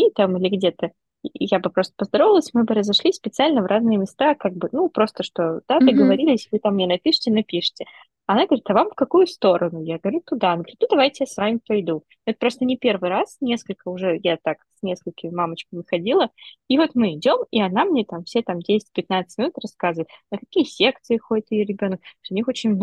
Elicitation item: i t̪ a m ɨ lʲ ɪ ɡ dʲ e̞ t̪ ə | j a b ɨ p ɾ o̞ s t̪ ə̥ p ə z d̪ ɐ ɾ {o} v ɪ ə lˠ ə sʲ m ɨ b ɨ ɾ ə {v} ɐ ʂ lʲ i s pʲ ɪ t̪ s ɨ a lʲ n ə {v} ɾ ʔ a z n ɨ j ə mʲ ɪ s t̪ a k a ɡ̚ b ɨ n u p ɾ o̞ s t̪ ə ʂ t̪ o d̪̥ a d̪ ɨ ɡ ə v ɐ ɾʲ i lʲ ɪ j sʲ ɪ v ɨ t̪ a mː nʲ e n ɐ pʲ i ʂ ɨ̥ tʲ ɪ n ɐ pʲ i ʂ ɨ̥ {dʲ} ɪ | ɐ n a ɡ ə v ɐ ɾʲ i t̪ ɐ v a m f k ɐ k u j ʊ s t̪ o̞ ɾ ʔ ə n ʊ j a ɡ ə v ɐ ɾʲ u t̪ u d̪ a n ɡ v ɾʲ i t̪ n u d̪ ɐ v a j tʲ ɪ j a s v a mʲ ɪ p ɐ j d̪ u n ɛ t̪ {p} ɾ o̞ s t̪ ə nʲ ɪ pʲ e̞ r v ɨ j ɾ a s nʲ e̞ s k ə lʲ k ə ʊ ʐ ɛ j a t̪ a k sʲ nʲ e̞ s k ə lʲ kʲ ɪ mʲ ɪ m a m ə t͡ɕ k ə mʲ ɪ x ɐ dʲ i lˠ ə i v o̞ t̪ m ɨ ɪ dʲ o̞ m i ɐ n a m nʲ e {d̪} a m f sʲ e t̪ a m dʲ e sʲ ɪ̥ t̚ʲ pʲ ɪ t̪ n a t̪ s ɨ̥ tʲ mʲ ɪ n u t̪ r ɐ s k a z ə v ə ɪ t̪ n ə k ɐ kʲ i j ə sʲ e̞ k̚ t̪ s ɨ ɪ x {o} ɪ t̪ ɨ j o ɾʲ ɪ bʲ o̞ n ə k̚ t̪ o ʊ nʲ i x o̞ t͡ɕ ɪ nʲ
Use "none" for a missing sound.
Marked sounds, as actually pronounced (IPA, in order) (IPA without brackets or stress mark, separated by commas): o, z, v, tʲ, p, t̪, o